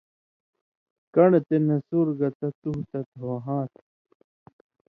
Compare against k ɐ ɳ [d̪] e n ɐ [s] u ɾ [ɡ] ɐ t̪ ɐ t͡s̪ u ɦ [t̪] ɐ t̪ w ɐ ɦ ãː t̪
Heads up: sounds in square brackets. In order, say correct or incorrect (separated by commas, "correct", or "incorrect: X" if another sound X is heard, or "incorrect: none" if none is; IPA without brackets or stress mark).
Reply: incorrect: t̪, correct, correct, correct